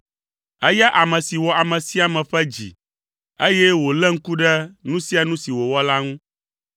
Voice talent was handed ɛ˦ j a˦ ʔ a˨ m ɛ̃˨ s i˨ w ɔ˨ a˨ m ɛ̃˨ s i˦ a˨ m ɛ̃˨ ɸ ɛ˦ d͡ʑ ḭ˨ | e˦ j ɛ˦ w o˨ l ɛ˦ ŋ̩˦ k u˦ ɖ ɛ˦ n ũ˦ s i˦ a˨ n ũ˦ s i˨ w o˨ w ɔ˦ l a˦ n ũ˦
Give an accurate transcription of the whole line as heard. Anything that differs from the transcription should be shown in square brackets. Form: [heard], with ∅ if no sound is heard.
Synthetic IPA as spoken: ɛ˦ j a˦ ʔ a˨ m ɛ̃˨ s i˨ w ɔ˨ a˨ m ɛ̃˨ s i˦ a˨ m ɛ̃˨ ɸ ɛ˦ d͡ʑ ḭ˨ | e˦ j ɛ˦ w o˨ l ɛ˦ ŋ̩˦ k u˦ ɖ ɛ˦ n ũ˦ s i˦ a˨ n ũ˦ s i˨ w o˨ w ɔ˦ l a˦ [ŋ] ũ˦